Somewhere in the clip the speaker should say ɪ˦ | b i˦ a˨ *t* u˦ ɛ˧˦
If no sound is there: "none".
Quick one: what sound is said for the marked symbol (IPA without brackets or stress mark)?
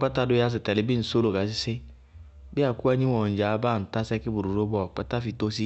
k